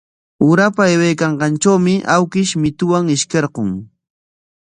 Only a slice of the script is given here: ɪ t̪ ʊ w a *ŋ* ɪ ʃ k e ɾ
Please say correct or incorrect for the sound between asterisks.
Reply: correct